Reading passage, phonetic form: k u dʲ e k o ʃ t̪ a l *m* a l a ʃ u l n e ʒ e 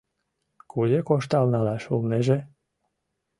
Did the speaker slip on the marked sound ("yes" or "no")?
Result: yes